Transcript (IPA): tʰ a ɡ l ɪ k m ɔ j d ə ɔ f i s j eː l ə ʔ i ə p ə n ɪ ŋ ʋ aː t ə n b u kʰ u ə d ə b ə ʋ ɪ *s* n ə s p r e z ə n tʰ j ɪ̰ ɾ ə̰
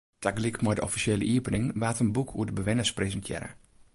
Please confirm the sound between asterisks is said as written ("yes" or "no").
no